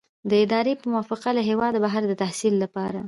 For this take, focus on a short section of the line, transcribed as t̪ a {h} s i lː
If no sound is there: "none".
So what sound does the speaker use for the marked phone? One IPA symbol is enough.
h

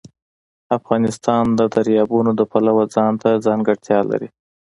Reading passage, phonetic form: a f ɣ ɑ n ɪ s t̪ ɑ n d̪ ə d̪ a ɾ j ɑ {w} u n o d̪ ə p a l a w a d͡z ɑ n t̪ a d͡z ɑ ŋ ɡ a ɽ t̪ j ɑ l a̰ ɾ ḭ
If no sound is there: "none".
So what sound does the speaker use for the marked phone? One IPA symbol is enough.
b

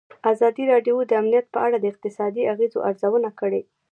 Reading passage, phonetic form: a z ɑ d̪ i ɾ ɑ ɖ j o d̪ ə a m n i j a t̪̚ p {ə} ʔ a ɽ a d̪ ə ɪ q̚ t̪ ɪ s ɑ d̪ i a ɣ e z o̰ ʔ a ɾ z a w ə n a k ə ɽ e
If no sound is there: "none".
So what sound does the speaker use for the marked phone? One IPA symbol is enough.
ə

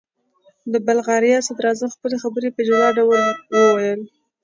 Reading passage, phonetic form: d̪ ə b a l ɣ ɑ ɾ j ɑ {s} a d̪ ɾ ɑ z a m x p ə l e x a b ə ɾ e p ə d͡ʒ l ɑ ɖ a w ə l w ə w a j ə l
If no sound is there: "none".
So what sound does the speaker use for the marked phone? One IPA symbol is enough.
s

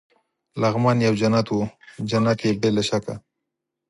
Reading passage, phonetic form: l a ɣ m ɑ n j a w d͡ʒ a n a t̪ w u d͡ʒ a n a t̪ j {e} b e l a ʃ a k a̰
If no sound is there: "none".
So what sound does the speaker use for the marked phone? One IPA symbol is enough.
e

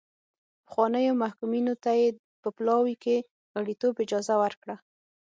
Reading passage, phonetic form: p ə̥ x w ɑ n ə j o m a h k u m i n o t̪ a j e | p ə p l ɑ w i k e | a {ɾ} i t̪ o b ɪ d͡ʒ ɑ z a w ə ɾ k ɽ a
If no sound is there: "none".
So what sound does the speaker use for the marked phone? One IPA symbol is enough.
ɽ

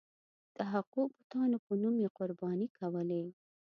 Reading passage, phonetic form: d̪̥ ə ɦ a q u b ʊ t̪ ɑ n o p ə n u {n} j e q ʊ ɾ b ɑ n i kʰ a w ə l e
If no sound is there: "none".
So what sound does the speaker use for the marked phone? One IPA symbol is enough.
m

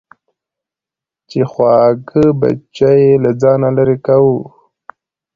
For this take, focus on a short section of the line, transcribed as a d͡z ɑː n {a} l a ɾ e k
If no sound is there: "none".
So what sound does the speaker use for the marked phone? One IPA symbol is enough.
a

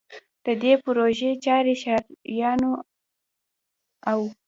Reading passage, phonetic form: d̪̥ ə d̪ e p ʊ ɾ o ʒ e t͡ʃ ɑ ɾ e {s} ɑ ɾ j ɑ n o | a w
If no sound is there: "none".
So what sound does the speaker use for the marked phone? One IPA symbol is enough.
ʃ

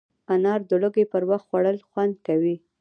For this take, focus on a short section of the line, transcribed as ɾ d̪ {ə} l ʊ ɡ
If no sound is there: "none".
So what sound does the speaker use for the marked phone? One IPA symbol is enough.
ə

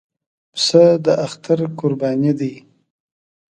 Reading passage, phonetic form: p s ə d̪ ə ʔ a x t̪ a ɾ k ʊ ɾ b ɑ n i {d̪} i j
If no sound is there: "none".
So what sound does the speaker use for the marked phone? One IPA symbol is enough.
d̪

